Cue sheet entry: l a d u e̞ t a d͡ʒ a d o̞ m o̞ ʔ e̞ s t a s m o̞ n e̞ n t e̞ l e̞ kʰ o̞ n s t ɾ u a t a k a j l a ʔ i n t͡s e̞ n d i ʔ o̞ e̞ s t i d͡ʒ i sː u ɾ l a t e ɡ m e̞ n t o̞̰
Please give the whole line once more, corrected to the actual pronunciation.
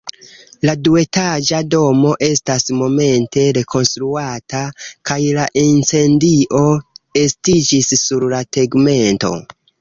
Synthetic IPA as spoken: l a d u e̞ t a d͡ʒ a d o̞ m o̞ ʔ e̞ s t a s m o̞ m e̞ n t e̞ ɾ e̞ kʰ o̞ n s t ɾ u a t a k a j l a ʔ i n t͡s e̞ n d i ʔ o̞ e̞ s t i d͡ʒ i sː u ɾ l a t e ɡ m e̞ n t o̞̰